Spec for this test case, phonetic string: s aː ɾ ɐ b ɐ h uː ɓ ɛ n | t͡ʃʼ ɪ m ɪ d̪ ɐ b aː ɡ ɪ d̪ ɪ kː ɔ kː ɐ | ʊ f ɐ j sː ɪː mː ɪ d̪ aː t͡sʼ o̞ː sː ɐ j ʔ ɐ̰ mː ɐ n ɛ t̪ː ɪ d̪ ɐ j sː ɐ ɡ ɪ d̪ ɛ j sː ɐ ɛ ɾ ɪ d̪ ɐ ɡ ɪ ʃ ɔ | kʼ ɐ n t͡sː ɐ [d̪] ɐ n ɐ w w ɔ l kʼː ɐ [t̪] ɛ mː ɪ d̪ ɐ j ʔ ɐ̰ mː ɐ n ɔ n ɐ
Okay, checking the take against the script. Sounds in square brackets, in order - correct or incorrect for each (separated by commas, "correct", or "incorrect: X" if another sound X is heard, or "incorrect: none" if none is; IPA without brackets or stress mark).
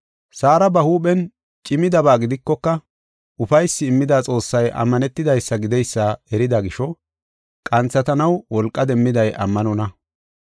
incorrect: t̪, incorrect: d̪